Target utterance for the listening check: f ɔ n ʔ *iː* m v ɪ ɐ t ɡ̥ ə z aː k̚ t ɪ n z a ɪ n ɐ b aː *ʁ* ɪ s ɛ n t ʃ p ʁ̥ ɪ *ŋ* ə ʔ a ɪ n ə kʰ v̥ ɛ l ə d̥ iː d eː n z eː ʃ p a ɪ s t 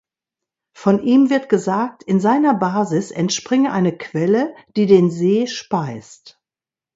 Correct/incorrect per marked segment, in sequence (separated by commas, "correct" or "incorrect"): correct, incorrect, correct